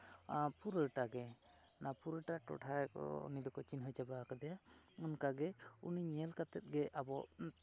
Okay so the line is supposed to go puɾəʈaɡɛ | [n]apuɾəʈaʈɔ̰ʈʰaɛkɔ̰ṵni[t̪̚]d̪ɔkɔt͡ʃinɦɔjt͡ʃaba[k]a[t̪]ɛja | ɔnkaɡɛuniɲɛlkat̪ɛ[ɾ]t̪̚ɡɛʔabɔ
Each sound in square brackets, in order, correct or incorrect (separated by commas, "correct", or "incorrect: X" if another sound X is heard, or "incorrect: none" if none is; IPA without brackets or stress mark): correct, incorrect: none, correct, incorrect: d̪, incorrect: none